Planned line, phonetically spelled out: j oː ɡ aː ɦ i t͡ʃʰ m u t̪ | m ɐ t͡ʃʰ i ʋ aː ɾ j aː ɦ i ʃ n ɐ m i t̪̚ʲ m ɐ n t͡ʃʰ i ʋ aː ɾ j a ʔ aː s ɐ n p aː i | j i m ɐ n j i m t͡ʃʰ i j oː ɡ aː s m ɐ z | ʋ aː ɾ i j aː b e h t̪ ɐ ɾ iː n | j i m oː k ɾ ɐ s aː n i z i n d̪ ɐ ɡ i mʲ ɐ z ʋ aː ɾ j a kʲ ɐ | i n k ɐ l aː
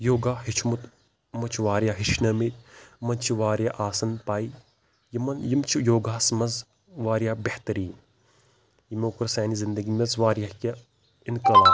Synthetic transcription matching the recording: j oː ɡ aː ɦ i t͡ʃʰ m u t̪ | m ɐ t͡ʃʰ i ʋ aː ɾ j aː ɦ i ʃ n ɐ m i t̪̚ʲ m ɐ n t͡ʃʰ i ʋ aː ɾ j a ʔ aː s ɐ n p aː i | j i m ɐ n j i m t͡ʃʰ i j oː ɡ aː s m ɐ z | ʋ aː ɾ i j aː b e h t̪ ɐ ɾ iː n | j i m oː k ɾ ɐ s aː n i z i n d̪ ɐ ɡ i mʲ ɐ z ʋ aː ɾ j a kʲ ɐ | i n k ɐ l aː